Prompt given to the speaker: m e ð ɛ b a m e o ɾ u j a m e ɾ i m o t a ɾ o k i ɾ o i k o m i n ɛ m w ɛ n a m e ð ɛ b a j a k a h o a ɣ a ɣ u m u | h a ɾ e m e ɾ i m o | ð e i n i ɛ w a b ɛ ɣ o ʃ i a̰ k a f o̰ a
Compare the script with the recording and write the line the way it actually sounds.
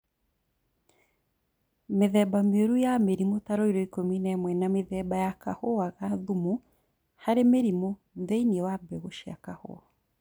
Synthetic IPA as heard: m e ð ɛ b a m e o ɾ u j a m e ɾ i m o t a ɾ o i ɾ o i k o m i n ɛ m w ɛ n a m e ð ɛ b a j a k a h o a ɣ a ð u m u | h a ɾ e m e ɾ i m o | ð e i n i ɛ w a b ɛ ɣ o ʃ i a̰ k a h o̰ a